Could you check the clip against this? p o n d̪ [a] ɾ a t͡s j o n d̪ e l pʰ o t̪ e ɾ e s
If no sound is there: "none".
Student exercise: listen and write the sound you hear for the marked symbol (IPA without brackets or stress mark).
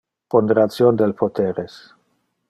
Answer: e